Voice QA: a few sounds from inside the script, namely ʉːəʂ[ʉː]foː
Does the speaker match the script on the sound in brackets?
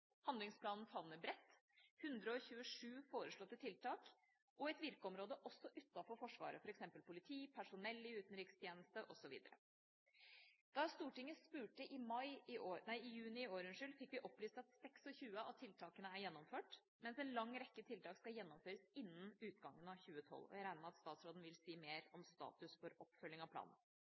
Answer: yes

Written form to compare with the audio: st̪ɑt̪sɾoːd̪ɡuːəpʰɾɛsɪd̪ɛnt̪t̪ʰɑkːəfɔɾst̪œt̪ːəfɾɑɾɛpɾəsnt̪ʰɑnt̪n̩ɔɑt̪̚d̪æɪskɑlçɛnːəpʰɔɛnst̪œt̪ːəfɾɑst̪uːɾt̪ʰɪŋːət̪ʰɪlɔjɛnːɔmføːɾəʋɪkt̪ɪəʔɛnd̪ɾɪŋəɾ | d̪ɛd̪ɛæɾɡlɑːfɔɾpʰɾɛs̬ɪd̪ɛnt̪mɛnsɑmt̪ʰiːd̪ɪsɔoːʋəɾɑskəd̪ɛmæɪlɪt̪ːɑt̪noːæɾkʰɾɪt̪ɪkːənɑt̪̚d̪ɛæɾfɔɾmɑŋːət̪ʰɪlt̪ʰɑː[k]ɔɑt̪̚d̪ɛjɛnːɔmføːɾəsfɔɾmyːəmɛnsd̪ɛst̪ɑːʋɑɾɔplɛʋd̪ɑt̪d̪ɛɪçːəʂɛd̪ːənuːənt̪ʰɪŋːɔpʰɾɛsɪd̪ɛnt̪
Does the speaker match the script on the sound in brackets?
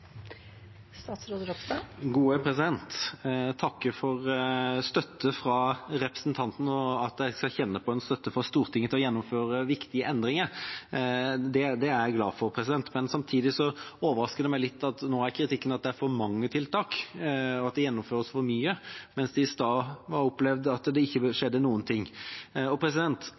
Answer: yes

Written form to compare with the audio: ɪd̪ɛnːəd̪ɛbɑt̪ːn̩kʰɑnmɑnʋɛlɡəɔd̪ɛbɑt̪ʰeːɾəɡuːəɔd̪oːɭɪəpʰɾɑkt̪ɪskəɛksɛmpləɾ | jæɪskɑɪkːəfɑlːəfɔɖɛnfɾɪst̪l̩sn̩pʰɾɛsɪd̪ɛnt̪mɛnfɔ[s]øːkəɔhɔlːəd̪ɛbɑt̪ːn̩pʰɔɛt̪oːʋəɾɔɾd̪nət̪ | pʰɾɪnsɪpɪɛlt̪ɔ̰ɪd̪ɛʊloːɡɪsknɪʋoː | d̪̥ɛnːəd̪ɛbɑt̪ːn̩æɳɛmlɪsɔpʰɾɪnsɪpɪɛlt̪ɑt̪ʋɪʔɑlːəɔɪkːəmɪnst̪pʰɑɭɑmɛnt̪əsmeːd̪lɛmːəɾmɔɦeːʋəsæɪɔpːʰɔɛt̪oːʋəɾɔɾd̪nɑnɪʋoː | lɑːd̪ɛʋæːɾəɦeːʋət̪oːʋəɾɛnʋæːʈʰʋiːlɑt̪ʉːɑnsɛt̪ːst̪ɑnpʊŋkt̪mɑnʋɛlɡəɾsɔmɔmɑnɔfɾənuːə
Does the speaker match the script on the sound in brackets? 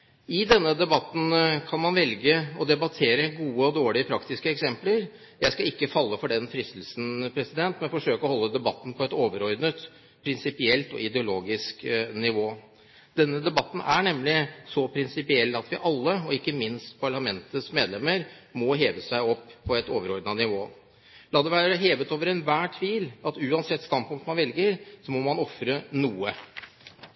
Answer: no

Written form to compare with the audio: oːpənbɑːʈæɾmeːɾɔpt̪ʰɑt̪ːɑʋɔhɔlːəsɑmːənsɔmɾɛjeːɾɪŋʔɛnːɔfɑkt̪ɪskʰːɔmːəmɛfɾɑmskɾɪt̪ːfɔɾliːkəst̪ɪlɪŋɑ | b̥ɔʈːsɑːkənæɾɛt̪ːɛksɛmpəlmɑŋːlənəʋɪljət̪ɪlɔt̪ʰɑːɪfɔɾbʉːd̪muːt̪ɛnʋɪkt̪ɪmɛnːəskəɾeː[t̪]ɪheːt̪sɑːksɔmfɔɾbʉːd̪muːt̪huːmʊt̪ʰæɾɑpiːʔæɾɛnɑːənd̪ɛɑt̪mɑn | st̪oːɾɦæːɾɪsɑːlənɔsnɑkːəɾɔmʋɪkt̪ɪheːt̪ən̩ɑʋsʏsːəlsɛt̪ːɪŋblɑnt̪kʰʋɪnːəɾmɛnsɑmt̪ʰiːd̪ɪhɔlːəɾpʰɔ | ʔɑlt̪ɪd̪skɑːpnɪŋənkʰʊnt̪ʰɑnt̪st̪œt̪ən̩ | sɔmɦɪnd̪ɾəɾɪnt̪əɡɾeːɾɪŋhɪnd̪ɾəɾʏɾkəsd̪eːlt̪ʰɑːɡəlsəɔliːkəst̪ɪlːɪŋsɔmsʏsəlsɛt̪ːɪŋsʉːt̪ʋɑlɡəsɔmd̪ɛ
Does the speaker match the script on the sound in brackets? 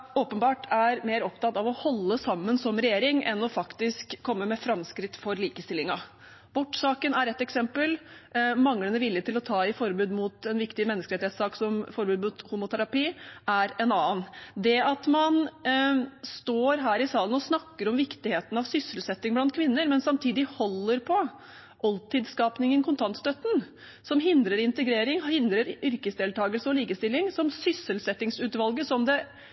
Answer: yes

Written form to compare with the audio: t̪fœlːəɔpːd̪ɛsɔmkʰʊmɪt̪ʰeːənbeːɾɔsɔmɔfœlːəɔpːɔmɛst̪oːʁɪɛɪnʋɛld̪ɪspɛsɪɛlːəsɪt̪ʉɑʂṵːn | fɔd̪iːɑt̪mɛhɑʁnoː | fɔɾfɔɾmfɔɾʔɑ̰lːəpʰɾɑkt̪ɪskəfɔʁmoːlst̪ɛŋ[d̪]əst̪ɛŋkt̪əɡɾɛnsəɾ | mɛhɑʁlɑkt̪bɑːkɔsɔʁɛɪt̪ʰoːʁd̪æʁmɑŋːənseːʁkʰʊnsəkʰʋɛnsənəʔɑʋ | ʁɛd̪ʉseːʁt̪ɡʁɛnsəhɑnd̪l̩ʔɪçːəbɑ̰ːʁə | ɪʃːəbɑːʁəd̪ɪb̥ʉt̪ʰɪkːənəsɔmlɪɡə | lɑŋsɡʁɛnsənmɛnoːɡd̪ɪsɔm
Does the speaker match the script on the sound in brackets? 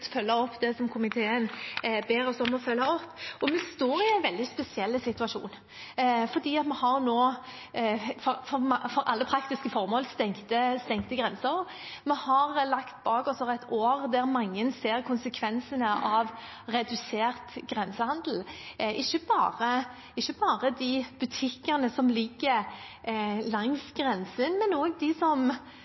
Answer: no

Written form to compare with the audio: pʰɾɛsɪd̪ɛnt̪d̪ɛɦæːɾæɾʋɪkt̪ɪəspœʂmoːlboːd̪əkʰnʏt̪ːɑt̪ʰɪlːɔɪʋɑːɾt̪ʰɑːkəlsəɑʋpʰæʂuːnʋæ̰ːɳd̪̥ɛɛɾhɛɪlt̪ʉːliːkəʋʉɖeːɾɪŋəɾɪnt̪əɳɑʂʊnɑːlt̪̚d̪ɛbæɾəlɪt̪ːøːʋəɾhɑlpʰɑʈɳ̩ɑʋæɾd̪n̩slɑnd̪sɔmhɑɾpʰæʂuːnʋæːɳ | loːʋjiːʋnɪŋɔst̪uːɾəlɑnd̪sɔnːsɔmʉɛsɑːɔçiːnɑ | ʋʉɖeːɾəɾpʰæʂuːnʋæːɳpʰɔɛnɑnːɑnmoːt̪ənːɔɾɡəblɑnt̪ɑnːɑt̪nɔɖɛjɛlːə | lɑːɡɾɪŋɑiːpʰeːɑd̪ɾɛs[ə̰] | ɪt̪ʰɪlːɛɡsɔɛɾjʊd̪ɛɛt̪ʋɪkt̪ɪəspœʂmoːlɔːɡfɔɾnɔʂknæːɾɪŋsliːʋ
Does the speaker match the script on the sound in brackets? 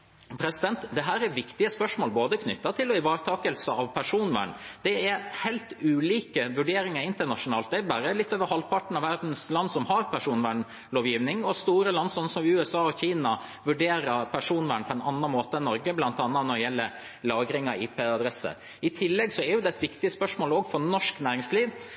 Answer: yes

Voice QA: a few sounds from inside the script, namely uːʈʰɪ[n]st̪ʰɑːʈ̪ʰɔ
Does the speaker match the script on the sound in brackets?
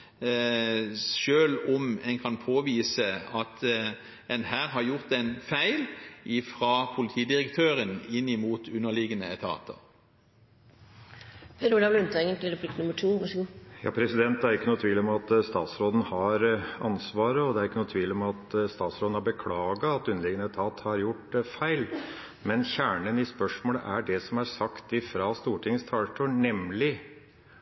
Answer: no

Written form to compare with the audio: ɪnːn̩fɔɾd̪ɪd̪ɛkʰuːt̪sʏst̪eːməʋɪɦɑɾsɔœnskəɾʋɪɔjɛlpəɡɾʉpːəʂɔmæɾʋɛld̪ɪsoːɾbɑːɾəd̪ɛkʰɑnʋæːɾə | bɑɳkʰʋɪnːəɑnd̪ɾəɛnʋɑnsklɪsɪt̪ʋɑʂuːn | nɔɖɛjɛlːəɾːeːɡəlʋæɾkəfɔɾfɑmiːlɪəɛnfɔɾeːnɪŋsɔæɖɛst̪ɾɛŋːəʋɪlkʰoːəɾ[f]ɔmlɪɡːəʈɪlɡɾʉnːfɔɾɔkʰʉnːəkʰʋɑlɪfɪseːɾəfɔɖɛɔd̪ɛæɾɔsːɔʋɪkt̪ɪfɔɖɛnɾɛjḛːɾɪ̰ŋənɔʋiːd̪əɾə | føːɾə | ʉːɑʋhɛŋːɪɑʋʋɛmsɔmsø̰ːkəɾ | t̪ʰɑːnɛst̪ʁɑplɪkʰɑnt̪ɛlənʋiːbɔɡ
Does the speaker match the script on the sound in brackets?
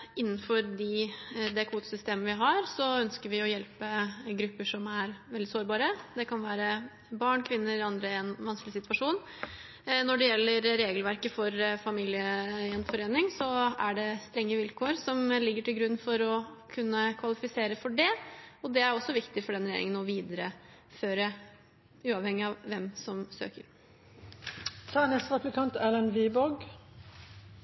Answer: no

